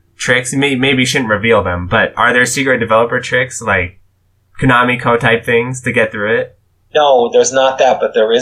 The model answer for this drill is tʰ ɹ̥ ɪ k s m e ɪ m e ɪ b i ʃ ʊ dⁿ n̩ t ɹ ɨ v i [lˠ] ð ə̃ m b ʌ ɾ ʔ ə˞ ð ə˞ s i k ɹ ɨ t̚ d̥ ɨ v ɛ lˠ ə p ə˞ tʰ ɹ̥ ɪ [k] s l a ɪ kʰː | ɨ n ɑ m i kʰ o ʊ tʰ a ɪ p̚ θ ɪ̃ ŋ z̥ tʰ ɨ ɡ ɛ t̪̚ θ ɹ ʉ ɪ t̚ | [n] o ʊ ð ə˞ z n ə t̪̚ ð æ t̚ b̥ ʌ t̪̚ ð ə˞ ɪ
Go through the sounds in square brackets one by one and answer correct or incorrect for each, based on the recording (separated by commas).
correct, correct, correct